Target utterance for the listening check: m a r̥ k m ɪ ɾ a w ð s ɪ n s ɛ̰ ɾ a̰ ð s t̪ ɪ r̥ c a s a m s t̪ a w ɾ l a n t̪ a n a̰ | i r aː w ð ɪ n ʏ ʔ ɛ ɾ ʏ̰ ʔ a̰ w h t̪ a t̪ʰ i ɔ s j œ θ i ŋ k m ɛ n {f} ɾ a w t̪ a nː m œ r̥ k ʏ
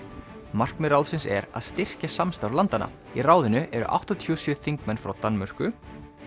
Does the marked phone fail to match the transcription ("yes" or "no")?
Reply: no